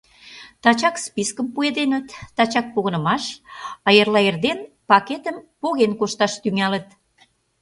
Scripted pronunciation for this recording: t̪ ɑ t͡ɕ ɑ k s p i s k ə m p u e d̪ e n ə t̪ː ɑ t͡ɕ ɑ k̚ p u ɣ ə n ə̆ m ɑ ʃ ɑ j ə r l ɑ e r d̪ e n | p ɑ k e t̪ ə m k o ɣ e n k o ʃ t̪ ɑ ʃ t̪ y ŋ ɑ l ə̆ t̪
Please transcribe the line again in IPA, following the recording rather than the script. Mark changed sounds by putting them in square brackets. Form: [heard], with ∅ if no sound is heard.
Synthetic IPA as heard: t̪ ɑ t͡ɕ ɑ k s p i s k ə m p u e d̪ e n ə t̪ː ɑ t͡ɕ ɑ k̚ p [o] ɣ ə n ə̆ m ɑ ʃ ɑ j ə r l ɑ e r d̪ e n | p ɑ k e t̪ ə m [p] o ɣ e n k o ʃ t̪ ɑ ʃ t̪ y ŋ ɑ l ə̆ t̪

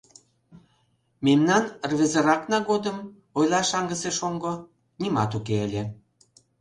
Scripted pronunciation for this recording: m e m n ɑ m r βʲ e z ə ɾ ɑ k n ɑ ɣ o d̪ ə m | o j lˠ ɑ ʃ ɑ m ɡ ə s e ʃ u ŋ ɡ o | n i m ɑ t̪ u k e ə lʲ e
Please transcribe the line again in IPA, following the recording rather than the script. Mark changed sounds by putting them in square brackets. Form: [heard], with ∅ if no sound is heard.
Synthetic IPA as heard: m e m n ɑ [n] r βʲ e z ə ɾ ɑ k n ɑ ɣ o d̪ ə m | o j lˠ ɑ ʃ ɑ [ŋ] ɡ ə s e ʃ [o] ŋ ɡ o | n i m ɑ t̪ u k e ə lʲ e

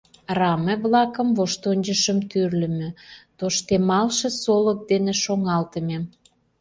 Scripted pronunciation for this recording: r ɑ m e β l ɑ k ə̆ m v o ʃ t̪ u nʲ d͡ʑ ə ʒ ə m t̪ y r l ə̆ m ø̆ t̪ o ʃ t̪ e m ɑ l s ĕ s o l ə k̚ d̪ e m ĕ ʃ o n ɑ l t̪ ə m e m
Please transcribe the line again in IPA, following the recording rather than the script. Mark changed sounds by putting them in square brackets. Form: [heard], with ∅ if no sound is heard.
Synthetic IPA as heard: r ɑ m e β l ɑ k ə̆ m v o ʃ t̪ [o] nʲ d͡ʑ ə [ʃ] ə m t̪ y r l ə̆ m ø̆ t̪ o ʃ t̪ e m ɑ l [ʃ] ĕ s o l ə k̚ d̪ e [n] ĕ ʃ o [ŋ] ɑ l t̪ ə m e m

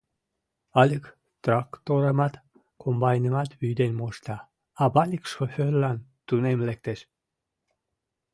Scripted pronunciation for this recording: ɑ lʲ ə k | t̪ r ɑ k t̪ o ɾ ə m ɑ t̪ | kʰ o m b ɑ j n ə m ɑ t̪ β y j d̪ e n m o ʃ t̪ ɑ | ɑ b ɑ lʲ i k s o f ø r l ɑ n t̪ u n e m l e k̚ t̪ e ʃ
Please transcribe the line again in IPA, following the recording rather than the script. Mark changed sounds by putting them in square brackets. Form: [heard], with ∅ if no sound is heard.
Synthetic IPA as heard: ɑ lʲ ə k | t̪ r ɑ k t̪ o ɾ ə m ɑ t̪ | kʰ o m b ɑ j n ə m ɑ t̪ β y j d̪ e n m o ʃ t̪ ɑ | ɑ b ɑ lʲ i k [ʃ] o f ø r l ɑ n t̪ u n e m l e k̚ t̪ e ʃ

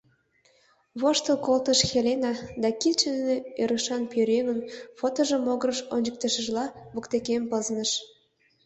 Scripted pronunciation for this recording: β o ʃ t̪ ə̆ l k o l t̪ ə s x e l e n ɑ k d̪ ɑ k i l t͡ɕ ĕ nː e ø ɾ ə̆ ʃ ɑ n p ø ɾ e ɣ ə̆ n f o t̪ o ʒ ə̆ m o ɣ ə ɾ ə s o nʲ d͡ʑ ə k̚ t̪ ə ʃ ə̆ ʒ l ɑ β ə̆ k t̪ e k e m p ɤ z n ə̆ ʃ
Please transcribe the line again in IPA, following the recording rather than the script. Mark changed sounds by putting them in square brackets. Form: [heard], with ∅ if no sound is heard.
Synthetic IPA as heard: β o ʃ t̪ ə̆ l k o l t̪ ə [ʃ] x e l e n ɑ [∅] d̪ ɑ k i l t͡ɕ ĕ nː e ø ɾ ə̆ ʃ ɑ n p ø ɾ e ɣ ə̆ n f o t̪ o ʒ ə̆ m o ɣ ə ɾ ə [ʃ] o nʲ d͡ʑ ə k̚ t̪ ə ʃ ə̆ ʒ l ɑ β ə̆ k t̪ e k e m p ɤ z n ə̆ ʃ

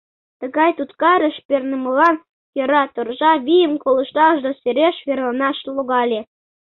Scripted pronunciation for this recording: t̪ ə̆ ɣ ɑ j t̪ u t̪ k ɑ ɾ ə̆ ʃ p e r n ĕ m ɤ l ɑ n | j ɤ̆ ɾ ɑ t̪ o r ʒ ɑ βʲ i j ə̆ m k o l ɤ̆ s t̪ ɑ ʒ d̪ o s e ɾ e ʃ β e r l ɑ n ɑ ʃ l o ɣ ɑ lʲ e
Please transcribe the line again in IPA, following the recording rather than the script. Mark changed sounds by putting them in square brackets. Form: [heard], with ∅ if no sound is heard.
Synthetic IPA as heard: t̪ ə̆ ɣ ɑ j t̪ u t̪ k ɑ ɾ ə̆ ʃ p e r n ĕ m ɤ l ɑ n | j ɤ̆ ɾ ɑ t̪ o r ʒ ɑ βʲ i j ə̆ m k o l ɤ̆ [ʃ] t̪ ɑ ʒ d̪ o s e ɾ e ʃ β e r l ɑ n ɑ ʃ l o ɣ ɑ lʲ e

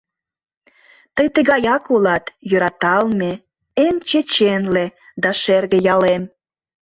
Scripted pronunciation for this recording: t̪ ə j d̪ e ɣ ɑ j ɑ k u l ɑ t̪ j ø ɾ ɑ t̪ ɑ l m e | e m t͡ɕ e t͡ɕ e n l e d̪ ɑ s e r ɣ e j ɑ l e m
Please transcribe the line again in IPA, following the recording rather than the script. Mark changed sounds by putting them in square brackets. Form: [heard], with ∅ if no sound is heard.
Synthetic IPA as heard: t̪ ə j [t̪] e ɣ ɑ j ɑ k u l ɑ t̪ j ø ɾ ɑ t̪ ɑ l m e | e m t͡ɕ e t͡ɕ e n l e d̪ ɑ [ʃ] e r ɣ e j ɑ l e m

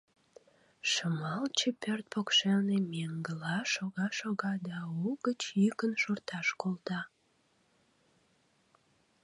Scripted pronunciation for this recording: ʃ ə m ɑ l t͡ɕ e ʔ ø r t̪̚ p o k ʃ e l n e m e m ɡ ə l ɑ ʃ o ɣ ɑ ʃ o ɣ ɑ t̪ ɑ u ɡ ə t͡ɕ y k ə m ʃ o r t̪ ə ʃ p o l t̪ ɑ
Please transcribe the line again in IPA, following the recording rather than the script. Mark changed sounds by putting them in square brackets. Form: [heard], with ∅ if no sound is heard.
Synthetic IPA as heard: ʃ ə m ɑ l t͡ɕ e [p] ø r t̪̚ p o k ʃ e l n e m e [ŋ] ɡ ə l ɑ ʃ o ɣ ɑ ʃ o ɣ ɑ [d̪] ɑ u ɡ ə t͡ɕ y k ə [n] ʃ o r t̪ [ɑ] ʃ [k] o l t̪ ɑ

